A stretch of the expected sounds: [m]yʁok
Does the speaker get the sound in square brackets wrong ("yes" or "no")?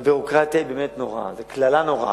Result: yes